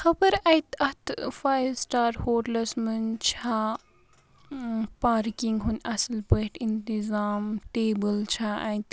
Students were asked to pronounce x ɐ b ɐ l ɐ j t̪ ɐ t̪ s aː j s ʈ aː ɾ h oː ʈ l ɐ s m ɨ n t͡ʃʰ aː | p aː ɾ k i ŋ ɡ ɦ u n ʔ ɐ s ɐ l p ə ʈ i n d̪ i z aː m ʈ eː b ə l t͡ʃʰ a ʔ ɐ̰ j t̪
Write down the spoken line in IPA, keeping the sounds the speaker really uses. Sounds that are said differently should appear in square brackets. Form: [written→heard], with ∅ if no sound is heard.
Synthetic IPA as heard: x ɐ b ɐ [l→ɾ] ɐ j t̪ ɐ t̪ [s→f] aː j s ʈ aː ɾ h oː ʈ l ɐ s m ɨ n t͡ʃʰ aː | p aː ɾ k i ŋ ɡ ɦ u n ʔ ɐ s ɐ l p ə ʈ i n [d̪→t̪] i z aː m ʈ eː b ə l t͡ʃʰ a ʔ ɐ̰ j t̪